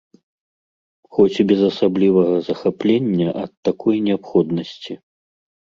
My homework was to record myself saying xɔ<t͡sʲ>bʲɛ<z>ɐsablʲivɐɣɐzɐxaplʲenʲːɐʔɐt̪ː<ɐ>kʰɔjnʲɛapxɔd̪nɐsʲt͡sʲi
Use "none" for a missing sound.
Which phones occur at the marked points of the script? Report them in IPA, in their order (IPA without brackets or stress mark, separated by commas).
t͡sʲ, z, a